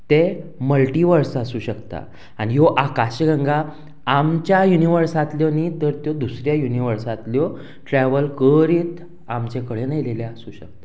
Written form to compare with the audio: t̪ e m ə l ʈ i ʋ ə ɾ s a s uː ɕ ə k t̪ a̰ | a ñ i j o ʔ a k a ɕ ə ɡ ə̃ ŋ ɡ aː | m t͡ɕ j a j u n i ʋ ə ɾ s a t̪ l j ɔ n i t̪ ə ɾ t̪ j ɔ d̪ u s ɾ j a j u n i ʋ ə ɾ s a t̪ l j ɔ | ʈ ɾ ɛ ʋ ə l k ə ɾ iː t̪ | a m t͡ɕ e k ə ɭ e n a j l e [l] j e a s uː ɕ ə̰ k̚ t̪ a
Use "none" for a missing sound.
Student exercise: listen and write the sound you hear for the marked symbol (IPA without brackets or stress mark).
l